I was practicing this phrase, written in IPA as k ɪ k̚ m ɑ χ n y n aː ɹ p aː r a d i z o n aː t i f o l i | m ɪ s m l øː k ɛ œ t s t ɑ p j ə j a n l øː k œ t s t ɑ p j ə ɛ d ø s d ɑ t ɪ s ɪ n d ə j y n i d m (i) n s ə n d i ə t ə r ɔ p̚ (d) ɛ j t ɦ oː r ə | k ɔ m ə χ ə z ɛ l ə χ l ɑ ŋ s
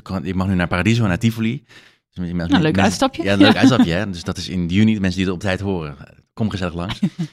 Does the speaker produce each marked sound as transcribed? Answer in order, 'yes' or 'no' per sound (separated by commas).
no, no